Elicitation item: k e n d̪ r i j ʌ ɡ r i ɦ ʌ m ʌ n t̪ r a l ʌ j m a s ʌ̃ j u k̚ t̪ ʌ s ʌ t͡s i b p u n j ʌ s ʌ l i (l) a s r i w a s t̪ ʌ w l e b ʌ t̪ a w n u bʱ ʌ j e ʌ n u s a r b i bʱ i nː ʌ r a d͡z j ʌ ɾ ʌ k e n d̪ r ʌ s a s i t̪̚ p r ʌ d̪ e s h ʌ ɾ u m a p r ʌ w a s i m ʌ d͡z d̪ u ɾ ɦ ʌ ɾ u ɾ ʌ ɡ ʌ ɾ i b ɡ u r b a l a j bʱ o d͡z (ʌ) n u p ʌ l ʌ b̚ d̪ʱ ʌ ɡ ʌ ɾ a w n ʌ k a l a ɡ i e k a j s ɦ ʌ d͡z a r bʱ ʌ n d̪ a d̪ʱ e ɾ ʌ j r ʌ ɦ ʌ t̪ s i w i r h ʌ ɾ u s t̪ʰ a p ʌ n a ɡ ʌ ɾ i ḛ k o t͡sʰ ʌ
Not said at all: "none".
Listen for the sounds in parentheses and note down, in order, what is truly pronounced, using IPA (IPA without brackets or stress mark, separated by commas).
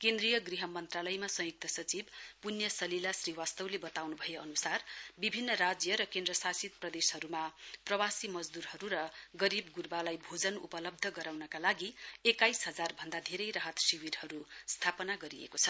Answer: l, ʌ